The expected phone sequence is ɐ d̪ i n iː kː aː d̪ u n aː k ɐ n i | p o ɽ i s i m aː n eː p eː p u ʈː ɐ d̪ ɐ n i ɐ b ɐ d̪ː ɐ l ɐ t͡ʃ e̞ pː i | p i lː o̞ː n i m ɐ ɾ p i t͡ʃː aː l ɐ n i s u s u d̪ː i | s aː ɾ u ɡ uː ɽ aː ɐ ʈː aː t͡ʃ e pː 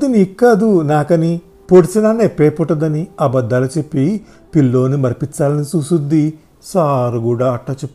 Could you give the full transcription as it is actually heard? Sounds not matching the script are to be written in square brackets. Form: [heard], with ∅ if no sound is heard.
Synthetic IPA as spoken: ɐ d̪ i n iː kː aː d̪ u n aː k ɐ n i | p o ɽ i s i [n] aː n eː p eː p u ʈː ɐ d̪ ɐ n i ɐ b ɐ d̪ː ɐ l ɐ t͡ʃ e̞ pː i | p i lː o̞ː n i m ɐ ɾ p i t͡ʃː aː l ɐ n i s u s u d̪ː i | s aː ɾ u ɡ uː ɽ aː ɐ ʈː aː t͡ʃ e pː